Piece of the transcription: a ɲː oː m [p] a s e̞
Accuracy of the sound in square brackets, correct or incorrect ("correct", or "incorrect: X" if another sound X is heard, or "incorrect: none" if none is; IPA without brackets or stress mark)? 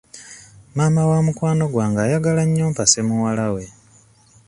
correct